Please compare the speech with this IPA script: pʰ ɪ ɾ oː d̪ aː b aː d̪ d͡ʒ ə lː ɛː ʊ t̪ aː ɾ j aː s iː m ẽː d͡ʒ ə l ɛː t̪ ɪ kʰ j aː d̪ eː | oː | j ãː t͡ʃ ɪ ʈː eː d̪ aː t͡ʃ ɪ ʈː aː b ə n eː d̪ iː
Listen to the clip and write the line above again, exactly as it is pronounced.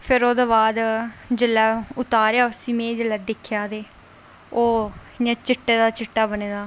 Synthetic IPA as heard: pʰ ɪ ɾ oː d̪ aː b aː d̪ d͡ʒ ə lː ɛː ʊ t̪ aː ɾ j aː s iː m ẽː d͡ʒ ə l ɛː d̪ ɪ kʰ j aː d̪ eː | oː | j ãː t͡ʃ ɪ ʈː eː d̪ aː t͡ʃ ɪ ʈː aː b ə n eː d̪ aː

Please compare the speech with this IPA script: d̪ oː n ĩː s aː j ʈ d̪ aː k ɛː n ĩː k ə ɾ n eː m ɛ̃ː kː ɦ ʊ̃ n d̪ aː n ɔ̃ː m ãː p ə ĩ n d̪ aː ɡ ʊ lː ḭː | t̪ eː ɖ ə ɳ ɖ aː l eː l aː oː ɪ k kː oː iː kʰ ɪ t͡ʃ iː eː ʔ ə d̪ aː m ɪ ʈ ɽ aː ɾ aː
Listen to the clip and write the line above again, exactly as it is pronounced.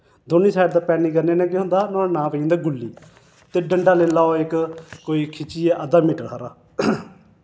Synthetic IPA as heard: d̪ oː n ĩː s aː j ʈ d̪ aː p ɛː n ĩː k ə ɾ n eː n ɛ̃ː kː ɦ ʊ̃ n d̪ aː n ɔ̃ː n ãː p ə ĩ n d̪ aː ɡ ʊ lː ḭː | t̪ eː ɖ ə ɳ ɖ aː l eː l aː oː ɪ k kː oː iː kʰ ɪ t͡ʃ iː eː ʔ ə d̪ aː m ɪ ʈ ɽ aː ɾ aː

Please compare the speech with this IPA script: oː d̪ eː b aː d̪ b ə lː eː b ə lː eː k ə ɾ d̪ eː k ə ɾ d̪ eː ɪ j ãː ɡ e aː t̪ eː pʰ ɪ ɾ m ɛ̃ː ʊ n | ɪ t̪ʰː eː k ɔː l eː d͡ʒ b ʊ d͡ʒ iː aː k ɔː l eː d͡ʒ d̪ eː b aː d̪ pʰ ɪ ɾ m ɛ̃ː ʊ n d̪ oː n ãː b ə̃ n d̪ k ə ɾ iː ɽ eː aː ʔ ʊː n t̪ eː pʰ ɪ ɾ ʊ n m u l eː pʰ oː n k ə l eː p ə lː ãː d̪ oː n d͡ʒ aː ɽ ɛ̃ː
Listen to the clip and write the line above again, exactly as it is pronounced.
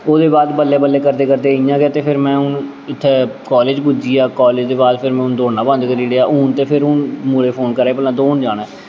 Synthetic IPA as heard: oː d̪ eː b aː d̪ b ə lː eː b ə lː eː k ə ɾ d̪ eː k ə ɾ d̪ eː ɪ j ãː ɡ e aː t̪ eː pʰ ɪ ɾ m ɛ̃ː ʊ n | ɪ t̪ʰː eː k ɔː l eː d͡ʒ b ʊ d͡ʒ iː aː k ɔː l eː d͡ʒ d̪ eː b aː d̪ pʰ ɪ ɾ m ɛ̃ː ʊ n d̪ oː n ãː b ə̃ n d̪ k ə ɾ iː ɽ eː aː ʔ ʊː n t̪ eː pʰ ɪ ɾ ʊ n m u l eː pʰ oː n k ə ɾ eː p ə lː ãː d̪ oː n d͡ʒ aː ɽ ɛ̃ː

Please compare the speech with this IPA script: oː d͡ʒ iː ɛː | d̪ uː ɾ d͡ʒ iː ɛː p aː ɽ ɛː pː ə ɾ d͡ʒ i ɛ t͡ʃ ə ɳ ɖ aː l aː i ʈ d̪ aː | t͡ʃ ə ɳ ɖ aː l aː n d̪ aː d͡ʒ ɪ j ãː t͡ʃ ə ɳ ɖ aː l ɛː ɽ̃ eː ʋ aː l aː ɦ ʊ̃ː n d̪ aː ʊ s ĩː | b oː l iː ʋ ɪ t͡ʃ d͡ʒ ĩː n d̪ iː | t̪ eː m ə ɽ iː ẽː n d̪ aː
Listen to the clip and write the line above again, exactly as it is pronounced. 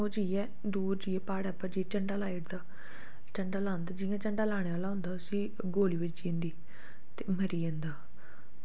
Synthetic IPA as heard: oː d͡ʒ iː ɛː | d̪ uː ɾ d͡ʒ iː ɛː p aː ɽ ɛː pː ə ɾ d͡ʒ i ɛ t͡ʃ ə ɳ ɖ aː l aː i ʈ d̪ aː | t͡ʃ ə ɳ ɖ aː l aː n d̪ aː d͡ʒ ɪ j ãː t͡ʃ ə ɳ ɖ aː l aː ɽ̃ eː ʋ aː l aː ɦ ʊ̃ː n d̪ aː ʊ s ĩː | ɡ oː l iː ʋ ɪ t͡ʃ d͡ʒ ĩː n d̪ iː | t̪ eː m ə ɾ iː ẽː n d̪ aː

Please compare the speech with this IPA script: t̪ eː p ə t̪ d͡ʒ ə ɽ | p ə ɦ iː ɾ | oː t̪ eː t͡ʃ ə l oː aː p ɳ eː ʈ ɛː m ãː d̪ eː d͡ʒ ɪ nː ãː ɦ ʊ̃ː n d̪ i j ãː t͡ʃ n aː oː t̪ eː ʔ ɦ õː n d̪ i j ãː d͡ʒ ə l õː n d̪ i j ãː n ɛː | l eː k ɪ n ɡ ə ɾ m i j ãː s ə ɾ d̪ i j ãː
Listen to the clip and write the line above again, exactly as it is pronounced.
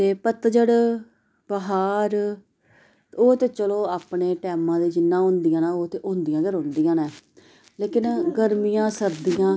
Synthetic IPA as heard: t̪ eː p ə t̪ d͡ʒ ə ɽ | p ə ɦ aː ɾ | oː t̪ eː t͡ʃ ə l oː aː p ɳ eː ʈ ɛː m ãː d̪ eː d͡ʒ ɪ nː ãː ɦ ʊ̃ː n d̪ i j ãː n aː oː t̪ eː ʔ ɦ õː n d̪ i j ãː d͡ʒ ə ɾ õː n d̪ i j ãː n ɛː | l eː k ɪ n ɡ ə ɾ m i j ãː s ə ɾ d̪ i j ãː

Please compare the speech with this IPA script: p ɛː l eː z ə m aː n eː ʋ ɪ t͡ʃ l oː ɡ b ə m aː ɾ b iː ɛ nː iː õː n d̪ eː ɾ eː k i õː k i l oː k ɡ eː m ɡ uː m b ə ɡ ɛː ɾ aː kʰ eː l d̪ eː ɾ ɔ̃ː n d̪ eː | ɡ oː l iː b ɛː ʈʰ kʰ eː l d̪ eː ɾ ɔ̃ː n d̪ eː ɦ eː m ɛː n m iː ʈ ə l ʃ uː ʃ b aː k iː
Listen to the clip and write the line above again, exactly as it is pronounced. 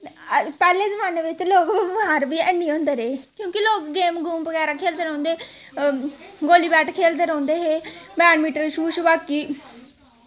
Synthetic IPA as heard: p ɛː l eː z ə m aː n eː ʋ ɪ t͡ʃ l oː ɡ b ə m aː ɾ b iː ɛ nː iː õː n d̪ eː ɾ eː k j õː k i l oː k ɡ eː m ɡ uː m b ə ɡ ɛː ɾ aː kʰ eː l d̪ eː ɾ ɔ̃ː n d̪ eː | ɡ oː l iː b ɛː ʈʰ kʰ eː l d̪ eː ɾ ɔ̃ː n d̪ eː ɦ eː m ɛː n m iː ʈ ə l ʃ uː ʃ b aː k iː

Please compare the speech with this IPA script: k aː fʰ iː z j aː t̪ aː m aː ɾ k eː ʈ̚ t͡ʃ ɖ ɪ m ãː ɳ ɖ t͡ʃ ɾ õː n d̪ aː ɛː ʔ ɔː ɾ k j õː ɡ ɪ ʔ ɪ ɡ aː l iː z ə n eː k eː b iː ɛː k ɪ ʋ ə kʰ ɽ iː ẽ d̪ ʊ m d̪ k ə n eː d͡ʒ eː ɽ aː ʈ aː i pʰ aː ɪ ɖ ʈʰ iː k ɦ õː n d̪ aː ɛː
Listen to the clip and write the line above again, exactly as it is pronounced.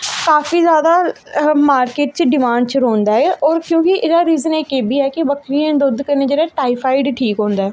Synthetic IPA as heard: k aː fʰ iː z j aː d̪ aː m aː ɾ k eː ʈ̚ t͡ʃ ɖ ɪ m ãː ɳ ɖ t͡ʃ ɾ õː n d̪ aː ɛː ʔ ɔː ɾ k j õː k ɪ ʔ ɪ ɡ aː ɾ iː z ə n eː k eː b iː ɛː k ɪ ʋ ə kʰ ɾ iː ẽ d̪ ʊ d̪ k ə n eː d͡ʒ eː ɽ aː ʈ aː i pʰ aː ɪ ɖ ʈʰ iː k ɦ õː n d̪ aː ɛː

